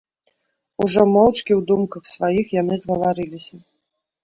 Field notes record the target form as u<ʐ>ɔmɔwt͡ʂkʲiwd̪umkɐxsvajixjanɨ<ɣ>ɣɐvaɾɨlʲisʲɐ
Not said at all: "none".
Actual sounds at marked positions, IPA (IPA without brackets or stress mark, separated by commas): ʐ, z